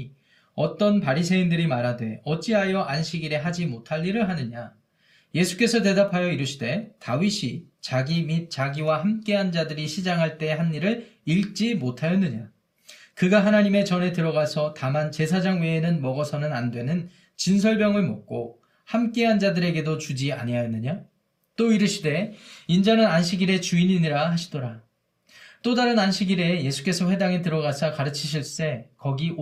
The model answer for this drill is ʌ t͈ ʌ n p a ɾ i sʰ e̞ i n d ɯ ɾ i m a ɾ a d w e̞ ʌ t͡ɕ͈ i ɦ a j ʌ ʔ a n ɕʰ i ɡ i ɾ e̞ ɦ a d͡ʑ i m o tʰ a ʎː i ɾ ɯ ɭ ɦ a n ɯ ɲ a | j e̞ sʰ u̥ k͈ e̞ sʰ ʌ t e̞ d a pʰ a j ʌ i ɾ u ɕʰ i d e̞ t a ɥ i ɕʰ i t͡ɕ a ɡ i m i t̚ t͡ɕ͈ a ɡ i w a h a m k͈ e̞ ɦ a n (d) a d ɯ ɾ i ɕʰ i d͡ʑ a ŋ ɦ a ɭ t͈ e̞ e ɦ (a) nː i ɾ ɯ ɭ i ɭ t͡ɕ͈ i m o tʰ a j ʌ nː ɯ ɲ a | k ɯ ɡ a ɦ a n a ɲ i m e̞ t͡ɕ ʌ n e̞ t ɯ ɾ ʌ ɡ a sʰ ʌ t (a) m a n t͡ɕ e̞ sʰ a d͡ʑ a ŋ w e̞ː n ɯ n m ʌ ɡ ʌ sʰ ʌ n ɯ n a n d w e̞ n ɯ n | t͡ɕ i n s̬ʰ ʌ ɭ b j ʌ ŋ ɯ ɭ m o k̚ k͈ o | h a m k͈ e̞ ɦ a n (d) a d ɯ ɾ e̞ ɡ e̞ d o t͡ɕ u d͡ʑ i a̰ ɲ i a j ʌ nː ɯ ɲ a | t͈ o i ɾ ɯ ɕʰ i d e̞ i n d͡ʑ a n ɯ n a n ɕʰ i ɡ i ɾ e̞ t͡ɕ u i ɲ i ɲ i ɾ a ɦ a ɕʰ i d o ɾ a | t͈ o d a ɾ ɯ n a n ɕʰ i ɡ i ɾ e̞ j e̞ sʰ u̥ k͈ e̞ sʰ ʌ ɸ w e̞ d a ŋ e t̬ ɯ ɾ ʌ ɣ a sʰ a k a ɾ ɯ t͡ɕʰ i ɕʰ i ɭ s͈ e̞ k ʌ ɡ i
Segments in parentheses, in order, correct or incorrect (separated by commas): incorrect, correct, correct, incorrect